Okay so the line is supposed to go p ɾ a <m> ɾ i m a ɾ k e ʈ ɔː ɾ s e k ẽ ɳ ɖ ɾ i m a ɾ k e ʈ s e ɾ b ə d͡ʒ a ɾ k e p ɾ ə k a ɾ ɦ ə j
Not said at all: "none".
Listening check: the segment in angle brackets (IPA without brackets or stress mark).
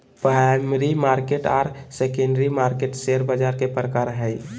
m